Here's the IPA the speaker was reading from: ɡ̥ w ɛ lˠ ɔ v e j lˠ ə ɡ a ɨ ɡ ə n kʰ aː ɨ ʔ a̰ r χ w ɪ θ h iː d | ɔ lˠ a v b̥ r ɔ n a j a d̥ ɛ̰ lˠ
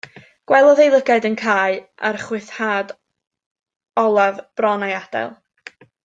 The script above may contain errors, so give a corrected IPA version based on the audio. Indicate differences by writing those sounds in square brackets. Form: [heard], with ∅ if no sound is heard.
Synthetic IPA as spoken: ɡ̥ w ɛ lˠ ɔ [ð] e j lˠ ə ɡ a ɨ [d] ə n kʰ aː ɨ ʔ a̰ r χ w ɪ θ h [aː] d | ɔ lˠ a v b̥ r ɔ n a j a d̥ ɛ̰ lˠ